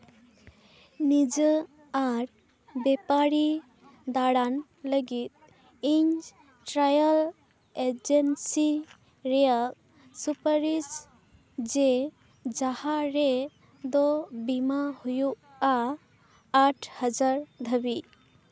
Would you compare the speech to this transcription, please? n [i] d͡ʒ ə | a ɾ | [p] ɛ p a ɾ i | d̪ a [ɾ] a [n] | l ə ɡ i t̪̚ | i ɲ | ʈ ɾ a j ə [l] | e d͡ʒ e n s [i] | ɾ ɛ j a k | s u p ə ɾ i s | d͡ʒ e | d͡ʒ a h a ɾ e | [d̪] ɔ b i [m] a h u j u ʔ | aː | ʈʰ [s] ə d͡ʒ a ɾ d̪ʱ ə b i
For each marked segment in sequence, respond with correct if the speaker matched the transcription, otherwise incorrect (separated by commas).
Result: correct, incorrect, incorrect, correct, correct, correct, correct, correct, incorrect